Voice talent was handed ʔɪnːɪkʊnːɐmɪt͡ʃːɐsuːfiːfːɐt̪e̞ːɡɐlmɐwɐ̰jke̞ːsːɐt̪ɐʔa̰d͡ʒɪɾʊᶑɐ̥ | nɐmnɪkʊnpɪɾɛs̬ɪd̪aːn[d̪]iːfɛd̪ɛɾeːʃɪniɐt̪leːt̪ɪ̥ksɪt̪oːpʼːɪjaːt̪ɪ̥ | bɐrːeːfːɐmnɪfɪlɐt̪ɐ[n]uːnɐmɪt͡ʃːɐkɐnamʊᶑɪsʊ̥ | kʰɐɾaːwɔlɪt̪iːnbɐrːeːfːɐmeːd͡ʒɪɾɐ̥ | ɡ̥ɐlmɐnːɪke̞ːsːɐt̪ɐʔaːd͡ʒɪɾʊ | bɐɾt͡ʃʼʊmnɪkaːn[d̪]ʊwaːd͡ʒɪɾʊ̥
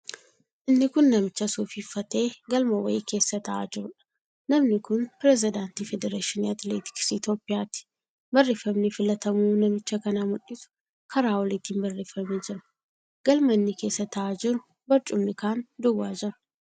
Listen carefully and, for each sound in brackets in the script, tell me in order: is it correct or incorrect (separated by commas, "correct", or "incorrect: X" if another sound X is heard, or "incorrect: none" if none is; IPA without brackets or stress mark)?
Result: incorrect: t̪, incorrect: m, correct